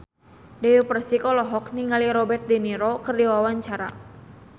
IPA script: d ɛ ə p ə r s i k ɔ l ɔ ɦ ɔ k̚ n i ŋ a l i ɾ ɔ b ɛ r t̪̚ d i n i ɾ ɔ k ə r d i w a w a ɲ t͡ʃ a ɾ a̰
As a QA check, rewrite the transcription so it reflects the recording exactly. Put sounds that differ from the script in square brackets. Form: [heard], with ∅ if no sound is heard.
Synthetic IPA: d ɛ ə p ə r s i k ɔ l ɔ ɦ ɔ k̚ n i ŋ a l i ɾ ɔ b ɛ r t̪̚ d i n i ɾ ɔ k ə r d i w a w a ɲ t͡ʃ a ɾ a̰